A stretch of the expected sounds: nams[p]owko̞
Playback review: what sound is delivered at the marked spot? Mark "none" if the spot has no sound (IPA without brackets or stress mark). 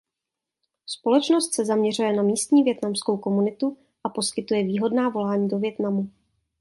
k